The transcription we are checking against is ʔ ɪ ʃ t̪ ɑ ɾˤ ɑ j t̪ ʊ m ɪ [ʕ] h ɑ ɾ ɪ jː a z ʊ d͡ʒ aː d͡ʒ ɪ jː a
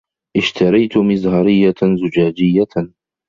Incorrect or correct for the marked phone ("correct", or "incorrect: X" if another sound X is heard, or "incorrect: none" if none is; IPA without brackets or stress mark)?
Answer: incorrect: z